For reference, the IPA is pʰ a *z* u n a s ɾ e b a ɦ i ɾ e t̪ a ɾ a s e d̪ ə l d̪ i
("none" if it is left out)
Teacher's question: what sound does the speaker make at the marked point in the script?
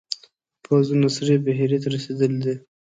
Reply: z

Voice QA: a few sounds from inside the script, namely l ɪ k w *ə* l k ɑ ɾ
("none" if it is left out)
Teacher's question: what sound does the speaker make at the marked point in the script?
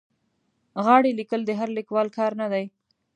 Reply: ɑ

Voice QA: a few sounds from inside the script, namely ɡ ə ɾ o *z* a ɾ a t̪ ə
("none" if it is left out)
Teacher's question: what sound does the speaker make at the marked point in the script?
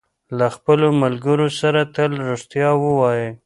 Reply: s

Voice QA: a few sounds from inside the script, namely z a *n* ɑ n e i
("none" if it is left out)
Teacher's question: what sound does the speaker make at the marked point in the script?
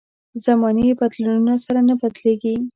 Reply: m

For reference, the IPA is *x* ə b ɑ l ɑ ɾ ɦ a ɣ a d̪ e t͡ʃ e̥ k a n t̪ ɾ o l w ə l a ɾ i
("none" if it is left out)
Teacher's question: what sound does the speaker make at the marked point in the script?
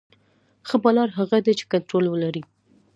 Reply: x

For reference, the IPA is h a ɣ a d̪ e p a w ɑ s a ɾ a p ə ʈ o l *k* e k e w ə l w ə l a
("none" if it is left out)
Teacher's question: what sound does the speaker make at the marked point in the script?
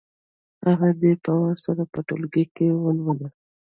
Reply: ɡ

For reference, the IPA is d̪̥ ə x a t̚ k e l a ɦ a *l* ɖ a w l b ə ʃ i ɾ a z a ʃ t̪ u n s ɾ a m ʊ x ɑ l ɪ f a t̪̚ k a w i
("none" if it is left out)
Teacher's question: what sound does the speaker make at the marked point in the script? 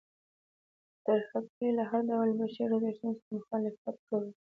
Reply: ɾ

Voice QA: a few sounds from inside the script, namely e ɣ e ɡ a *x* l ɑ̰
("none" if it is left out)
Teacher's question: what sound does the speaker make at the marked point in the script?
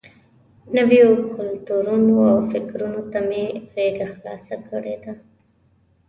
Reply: x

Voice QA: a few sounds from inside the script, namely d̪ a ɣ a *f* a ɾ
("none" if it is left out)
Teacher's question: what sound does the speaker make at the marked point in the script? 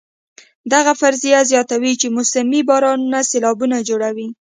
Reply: f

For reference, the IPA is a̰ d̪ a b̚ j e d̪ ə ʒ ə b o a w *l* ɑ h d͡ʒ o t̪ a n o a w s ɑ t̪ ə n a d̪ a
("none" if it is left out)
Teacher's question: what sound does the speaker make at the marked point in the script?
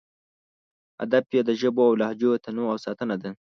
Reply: l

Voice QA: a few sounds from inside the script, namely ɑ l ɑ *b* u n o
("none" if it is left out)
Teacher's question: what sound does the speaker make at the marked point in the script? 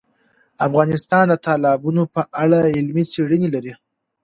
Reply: b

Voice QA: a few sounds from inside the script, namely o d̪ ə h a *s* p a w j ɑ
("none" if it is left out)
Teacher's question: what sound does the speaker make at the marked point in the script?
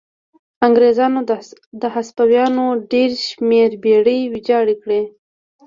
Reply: s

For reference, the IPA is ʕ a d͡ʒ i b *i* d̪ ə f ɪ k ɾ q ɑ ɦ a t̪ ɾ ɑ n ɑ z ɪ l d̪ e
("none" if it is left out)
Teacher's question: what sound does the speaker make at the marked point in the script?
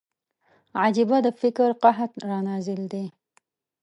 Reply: a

